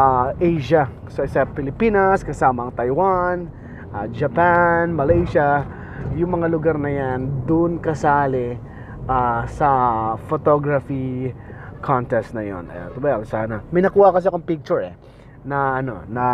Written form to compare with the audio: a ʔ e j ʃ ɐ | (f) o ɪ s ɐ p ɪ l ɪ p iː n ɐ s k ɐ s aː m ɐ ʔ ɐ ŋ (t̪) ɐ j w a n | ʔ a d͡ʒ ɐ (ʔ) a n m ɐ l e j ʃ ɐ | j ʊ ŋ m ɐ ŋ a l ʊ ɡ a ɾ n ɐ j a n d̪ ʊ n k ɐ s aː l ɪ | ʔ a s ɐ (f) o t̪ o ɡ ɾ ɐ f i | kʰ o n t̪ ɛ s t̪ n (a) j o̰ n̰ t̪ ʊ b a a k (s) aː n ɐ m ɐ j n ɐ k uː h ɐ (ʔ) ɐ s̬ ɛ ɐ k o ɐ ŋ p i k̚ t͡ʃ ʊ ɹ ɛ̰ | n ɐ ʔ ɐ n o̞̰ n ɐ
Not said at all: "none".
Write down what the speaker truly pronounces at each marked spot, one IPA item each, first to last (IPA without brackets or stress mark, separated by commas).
s, t̪, p, f, ɐ, s, k